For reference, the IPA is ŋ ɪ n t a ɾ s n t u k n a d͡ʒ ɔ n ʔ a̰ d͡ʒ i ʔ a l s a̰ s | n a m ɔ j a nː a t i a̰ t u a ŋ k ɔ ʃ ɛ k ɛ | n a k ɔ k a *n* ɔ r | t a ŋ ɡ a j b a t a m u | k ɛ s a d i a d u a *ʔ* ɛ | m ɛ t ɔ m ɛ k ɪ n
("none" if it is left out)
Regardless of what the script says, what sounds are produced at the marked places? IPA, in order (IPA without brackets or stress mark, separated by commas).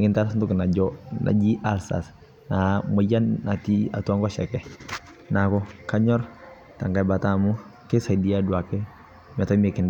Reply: ɲ, k